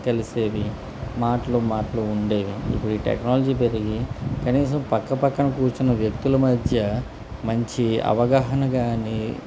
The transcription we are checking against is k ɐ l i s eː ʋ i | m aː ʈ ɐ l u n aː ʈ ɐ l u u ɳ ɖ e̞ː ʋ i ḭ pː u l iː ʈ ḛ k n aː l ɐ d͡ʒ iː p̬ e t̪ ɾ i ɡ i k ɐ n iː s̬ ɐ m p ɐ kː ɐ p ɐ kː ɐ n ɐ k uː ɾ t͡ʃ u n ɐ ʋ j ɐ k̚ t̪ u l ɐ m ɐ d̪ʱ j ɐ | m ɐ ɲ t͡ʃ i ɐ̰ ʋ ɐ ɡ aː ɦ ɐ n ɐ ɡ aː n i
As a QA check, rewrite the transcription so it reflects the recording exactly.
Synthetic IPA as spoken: k ɐ l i s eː ʋ i | m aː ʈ ɐ l u m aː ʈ ɐ l u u ɳ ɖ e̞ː ʋ i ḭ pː u ɽ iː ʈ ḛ k n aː l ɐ d͡ʒ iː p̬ e ɾ i ɡ i k ɐ n iː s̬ ɐ m p ɐ kː ɐ p ɐ kː ɐ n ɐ k uː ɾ t͡ʃ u n ɐ ʋ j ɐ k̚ t̪ u l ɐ m ɐ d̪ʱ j ɐ | m ɐ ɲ t͡ʃ i ɐ̰ ʋ ɐ ɡ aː ɦ ɐ n ɐ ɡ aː n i